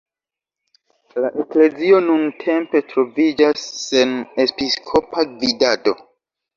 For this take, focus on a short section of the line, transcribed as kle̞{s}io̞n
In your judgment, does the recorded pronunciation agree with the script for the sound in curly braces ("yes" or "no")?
no